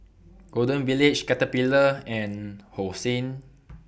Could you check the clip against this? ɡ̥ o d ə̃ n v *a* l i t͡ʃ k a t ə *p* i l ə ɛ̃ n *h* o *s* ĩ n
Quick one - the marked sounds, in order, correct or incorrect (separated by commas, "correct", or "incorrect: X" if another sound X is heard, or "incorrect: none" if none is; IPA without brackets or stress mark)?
incorrect: i, correct, correct, correct